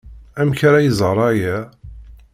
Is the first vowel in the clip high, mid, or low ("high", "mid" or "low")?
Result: low